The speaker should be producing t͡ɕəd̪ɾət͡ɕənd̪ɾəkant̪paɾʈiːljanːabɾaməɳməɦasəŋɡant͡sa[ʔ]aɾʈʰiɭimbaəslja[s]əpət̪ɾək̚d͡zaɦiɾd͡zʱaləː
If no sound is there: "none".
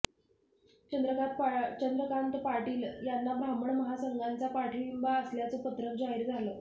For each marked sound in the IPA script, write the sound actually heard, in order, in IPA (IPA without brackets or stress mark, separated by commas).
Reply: p, t͡s